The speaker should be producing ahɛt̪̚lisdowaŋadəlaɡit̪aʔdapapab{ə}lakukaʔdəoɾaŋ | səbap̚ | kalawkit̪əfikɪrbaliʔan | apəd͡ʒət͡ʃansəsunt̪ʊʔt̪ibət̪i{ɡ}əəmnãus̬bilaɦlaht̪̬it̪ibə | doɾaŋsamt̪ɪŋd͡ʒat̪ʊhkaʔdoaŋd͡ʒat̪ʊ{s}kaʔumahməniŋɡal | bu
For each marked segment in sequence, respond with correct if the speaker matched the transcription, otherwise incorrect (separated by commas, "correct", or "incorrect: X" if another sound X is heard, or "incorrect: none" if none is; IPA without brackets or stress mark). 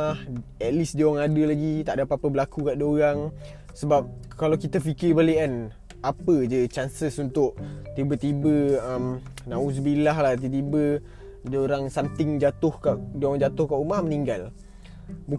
correct, incorrect: b, incorrect: h